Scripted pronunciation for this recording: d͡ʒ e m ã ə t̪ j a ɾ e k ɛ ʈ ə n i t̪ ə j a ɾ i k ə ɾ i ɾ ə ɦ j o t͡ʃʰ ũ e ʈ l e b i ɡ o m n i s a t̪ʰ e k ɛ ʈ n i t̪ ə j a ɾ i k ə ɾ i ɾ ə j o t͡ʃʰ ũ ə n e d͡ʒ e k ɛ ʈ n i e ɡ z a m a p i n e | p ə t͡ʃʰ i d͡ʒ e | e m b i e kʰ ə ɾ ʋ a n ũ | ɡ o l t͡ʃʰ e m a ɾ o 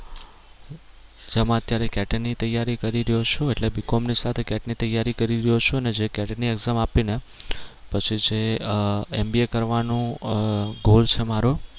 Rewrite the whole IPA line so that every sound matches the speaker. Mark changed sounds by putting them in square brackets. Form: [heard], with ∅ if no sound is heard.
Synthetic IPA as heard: d͡ʒ e m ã ə t̪ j a ɾ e k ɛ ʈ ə n i t̪ ə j a ɾ i k ə ɾ i ɾ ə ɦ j o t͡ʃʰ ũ e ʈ l e b i [k] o m n i s a t̪ʰ e k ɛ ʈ n i t̪ ə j a ɾ i k ə ɾ i ɾ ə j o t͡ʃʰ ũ ə n e d͡ʒ e k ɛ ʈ n i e ɡ z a m a p i n e | p ə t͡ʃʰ i d͡ʒ e | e m b i e [k] ə ɾ ʋ a n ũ | ɡ o l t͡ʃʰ e m a ɾ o

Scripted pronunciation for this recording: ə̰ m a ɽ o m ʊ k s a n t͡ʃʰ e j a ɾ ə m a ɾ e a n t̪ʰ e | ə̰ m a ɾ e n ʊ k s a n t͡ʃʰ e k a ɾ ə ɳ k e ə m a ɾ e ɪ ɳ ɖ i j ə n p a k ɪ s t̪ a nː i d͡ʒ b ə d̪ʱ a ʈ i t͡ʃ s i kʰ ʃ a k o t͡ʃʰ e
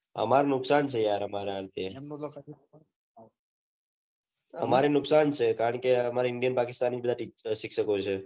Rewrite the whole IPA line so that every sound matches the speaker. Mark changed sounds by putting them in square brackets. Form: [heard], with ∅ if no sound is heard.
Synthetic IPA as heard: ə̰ m a [ɾ] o [n] ʊ k s a n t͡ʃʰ e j a ɾ ə m a ɾ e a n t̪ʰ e | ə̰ m a ɾ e n ʊ k s a n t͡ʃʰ e k a ɾ ə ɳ k e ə m a ɾ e ɪ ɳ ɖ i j ə n p a k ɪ s t̪ a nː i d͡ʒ b ə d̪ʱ a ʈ i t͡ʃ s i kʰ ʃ [ə] k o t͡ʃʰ e

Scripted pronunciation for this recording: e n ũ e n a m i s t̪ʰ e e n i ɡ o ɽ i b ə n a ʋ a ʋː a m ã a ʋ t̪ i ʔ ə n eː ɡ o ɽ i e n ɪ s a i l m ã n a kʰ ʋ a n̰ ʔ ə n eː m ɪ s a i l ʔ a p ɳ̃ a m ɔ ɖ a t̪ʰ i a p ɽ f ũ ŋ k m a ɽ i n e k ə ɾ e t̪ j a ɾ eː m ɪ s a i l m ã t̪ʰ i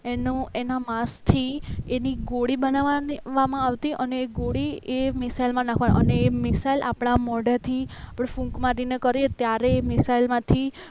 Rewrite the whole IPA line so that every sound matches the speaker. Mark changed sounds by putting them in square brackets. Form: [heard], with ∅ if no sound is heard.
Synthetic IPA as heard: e n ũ e n a m [a] s t̪ʰ [i] e n i ɡ o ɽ i b ə n a ʋ a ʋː a m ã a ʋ t̪ i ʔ ə n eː ɡ o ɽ i e [m] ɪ s a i l m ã n a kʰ ʋ a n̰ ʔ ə n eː m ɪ s a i l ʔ a p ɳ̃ a m ɔ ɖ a t̪ʰ i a p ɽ f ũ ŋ k m a [ɾ] i n e k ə ɾ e t̪ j a ɾ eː m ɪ s a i l m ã t̪ʰ i

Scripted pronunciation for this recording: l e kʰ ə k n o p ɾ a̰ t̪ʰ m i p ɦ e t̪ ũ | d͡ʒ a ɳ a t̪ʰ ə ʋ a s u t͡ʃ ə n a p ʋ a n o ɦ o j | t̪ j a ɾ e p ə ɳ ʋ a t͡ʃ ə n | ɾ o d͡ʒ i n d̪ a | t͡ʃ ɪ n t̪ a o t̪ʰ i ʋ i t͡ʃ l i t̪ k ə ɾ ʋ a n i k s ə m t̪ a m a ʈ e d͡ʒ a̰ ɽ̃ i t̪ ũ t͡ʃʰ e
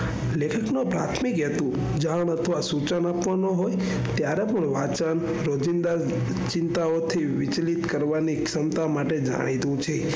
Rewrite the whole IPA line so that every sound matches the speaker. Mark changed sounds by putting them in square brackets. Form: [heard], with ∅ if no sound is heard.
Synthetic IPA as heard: l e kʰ ə k n o p ɾ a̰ t̪ʰ m i [k] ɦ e t̪ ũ | d͡ʒ a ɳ [ə] t̪ʰ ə ʋ a s u t͡ʃ ə n a p ʋ a n o ɦ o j | t̪ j a ɾ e p ə ɳ ʋ a t͡ʃ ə n | ɾ o d͡ʒ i n d̪ a | t͡ʃ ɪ n t̪ a o t̪ʰ i ʋ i t͡ʃ l i t̪ k ə ɾ ʋ a n i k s ə m t̪ a m a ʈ e d͡ʒ a̰ ɽ̃ i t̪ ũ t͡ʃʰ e

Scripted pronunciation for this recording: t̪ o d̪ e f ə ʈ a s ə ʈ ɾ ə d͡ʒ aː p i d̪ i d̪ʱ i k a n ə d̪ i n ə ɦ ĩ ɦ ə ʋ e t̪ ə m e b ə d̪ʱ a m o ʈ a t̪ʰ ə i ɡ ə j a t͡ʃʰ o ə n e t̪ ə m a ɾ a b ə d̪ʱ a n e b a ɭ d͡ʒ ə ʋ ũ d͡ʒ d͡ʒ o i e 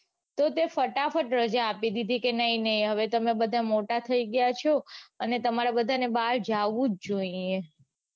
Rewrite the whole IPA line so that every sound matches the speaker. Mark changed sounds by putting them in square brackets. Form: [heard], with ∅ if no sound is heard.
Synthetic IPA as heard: t̪ o [t̪] e f ə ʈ a [f] ə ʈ ɾ ə d͡ʒ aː p i d̪ i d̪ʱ i k [e] n ə [∅] i n ə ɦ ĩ ɦ ə ʋ e t̪ ə m e b ə d̪ʱ a m o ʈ a t̪ʰ ə i ɡ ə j a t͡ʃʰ o ə n e t̪ ə m a ɾ a b ə d̪ʱ a n e b a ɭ d͡ʒ [a] ʋ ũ d͡ʒ d͡ʒ o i e

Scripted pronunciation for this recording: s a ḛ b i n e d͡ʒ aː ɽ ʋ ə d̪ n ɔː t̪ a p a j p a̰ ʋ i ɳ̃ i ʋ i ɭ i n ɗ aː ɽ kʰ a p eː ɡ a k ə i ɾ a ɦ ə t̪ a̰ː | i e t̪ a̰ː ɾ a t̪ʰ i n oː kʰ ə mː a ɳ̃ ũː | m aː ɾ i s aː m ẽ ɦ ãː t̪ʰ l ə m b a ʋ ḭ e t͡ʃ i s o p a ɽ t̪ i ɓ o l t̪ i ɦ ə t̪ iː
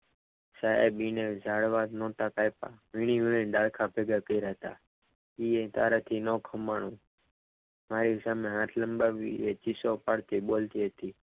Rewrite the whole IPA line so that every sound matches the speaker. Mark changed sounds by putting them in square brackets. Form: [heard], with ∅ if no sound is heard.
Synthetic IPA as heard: s a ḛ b i n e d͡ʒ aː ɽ ʋ [a] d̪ n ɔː t̪ a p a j p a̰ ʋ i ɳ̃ i ʋ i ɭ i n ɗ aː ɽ kʰ a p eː ɡ a k ə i ɾ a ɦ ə t̪ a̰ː | i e t̪ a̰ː ɾ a t̪ʰ i n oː kʰ ə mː a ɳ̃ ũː | m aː ɾ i s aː m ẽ ɦ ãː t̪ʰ l ə m b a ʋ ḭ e t͡ʃ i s o p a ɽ t̪ i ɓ o l t̪ i ɦ ə t̪ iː

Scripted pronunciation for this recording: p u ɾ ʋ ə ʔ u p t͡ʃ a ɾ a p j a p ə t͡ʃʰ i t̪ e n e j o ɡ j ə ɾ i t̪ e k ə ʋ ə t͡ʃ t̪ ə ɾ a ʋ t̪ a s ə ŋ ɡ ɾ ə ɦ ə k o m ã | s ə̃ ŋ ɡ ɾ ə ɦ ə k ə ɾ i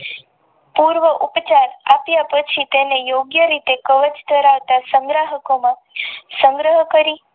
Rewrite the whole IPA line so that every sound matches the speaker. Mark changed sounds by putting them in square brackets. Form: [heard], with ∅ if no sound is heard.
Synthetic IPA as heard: p u ɾ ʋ ə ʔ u p t͡ʃ a ɾ a p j a p ə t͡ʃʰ i t̪ e n e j o ɡ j ə ɾ i t̪ e k ə ʋ ə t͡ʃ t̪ ə ɾ a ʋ t̪ a s ə ŋ ɡ ɾ [a] ɦ ə k o m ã | s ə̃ ŋ ɡ ɾ ə ɦ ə k ə ɾ i

